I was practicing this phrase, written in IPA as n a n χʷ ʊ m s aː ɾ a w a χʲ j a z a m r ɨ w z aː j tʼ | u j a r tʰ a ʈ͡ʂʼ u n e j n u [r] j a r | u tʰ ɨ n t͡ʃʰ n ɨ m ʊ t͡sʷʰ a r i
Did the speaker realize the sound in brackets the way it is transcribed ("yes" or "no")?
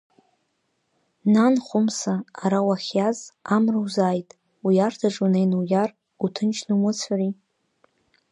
no